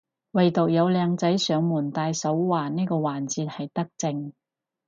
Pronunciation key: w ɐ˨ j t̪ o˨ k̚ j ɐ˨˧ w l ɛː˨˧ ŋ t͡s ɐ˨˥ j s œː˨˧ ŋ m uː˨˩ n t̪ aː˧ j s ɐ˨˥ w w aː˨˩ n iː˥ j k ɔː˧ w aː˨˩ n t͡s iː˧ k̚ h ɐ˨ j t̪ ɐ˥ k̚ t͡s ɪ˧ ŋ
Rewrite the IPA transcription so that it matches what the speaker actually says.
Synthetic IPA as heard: w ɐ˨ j t̪ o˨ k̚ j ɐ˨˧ w l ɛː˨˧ ŋ t͡s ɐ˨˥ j s œː˨˧ ŋ m uː˨˩ n t̪ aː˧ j s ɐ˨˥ w w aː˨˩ n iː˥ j k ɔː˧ w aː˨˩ n t͡s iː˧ t̚ h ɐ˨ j t̪ ɐ˥ k̚ t͡s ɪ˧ ŋ

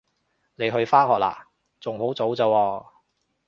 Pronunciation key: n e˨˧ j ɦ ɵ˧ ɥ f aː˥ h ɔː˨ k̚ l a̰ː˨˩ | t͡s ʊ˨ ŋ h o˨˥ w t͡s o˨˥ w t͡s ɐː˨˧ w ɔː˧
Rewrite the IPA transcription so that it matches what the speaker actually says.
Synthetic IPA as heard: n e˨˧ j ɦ ɵ˧ ɥ f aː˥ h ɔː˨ k̚ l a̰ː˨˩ | t͡s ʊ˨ ŋ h o˨˥ w t͡s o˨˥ w t͡s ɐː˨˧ w ɔː˧

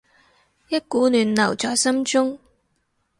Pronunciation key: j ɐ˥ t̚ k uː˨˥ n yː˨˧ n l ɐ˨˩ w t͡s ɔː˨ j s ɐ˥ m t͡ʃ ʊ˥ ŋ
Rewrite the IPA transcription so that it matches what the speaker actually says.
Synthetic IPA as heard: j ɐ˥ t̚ k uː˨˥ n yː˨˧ n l ɐ˨˩ w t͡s ɔː˨ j s ɐ˥ m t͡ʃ ʊ˥ ŋ

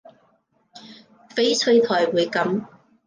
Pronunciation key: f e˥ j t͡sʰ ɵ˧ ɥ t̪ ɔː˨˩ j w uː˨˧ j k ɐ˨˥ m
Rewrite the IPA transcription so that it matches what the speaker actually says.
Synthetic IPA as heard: f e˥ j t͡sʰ ɵ˧ ɥ t̪ʰ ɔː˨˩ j w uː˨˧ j k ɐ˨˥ m

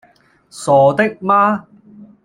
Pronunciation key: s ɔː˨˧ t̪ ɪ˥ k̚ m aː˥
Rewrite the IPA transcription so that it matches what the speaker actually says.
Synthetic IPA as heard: s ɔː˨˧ t̪ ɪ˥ k̚ m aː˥

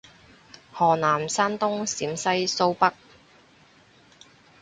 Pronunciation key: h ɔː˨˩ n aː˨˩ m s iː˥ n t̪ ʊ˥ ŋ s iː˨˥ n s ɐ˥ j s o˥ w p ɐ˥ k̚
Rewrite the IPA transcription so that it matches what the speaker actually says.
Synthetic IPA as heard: h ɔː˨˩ n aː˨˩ m s aː˥ n t̪ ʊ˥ ŋ s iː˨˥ m s ɐ˥ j s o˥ w p ɐ˥ k̚

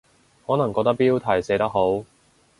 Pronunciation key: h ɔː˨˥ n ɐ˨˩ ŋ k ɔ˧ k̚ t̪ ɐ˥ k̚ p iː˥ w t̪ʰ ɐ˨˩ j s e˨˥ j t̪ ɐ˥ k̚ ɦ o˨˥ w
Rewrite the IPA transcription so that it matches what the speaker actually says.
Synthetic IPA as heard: h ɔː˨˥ n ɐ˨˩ ŋ k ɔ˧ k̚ t̪ ɐ˥ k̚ p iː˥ w t̪ʰ ɐ˨˩ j s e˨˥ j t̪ ɐ˥ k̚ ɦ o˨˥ w

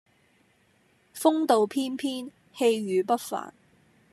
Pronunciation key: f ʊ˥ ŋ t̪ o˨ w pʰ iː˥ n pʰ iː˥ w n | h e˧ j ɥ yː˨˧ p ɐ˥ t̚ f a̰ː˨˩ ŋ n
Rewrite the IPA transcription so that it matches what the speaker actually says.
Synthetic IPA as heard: f ʊ˥ ŋ t̪ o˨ w pʰ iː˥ n pʰ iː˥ n | h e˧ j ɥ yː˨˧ p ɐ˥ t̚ f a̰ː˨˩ n

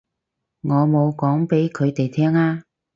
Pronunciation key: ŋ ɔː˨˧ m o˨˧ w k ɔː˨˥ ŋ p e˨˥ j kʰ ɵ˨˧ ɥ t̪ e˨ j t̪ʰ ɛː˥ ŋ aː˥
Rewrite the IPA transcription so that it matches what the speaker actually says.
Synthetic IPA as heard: ŋ ɔː˨˧ m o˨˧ w k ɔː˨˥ ŋ p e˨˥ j kʰ ɵ˨˧ ɥ t̪ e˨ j t̪ʰ ɛː˥ ŋ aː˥

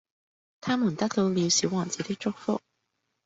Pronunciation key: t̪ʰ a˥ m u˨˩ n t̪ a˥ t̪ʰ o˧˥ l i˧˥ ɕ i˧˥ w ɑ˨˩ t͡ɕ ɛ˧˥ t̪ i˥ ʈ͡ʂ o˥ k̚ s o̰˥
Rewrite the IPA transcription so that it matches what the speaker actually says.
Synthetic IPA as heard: t̪ʰ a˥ m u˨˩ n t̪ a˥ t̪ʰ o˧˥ l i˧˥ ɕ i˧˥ w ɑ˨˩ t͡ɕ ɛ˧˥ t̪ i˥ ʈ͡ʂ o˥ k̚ f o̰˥

